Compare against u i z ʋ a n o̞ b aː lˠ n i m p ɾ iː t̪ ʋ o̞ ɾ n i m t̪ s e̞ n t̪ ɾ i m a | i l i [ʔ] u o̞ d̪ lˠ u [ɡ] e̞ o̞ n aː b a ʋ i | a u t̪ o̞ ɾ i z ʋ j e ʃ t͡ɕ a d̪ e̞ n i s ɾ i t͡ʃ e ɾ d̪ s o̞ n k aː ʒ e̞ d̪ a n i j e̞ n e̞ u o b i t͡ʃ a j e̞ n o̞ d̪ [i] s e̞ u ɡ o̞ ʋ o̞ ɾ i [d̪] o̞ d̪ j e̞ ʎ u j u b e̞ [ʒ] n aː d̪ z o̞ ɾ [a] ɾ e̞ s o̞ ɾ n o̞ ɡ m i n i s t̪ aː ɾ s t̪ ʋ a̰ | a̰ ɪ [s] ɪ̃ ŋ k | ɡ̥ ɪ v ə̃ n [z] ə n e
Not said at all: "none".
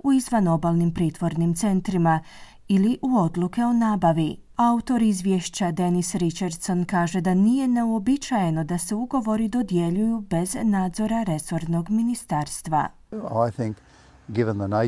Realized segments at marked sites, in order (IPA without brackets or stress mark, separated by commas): ʔ, k, a, d̪, z, a, θ, ð